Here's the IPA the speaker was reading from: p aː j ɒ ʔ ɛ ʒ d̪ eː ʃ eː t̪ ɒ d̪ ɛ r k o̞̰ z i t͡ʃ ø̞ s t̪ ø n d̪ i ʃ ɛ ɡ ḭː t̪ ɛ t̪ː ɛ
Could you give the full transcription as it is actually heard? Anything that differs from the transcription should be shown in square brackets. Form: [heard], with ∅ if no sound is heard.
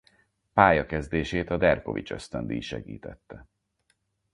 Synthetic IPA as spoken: p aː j ɒ [k] ɛ [z] d̪ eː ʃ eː t̪ ɒ d̪ ɛ r k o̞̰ [v] i t͡ʃ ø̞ s t̪ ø n d̪ i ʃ ɛ ɡ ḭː t̪ ɛ t̪ː ɛ